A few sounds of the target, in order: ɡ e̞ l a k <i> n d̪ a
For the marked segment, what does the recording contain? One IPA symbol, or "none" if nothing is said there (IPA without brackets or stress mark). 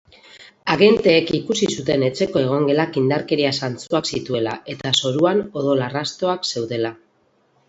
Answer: i